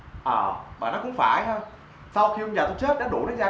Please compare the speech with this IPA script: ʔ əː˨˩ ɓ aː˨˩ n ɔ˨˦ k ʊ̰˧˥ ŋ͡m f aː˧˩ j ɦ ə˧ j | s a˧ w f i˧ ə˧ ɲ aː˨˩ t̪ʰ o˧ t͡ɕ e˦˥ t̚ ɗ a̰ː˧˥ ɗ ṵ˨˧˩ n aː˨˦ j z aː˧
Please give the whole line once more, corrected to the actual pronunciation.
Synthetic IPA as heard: ʔ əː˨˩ ɓ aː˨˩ n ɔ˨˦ k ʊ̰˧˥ ŋ͡m f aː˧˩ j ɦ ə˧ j | s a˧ w x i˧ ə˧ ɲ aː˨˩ t̪ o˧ t͡ɕ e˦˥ t̚ ɗ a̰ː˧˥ ɗ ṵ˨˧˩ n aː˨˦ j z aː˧